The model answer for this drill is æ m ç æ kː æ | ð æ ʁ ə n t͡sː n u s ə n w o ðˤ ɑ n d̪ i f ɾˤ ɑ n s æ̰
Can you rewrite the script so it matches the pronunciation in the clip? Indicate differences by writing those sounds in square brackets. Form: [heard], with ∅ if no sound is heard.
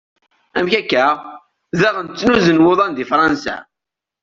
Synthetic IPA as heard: æ m ç æ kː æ | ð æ ʁ ə n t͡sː n u [z] ə n w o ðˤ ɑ n d̪ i f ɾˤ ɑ n s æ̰